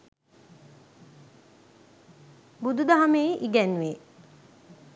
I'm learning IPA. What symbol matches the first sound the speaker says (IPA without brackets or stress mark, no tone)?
b